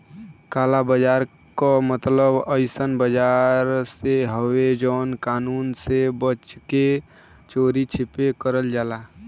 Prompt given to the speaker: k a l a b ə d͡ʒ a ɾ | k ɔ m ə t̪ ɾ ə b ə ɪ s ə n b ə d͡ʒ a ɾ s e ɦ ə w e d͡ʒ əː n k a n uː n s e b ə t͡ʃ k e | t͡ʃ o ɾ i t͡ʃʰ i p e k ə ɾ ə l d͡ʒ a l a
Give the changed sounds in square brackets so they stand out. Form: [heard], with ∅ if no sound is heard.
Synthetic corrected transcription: k a l a b ə d͡ʒ a ɾ | k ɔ m ə t̪ [l] ə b ə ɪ s ə n b ə d͡ʒ a ɾ s e ɦ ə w e d͡ʒ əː n k a n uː n s e b ə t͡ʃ k e | t͡ʃ o ɾ i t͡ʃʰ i p e k ə ɾ ə l d͡ʒ a l a